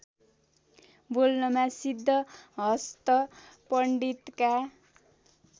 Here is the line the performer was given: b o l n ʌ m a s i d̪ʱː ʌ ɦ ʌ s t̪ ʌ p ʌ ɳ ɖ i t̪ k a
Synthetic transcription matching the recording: b o l n ʌ m a s i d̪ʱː ʌ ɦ ʌ s t̪ ʌ p ʌ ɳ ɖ i t̪ k a